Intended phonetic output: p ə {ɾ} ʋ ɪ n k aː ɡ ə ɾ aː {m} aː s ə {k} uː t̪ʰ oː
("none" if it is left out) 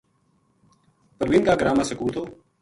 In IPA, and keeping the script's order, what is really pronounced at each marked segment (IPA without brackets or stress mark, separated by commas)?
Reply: ɾ, m, k